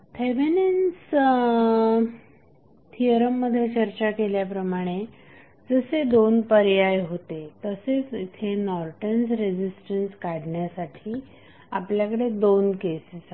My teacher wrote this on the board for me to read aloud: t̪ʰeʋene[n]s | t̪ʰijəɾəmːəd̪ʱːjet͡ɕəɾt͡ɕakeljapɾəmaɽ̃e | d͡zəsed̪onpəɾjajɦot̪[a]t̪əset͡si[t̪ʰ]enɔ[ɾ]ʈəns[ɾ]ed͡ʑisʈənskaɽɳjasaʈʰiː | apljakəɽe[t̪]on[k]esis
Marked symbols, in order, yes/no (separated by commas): yes, no, yes, yes, yes, no, yes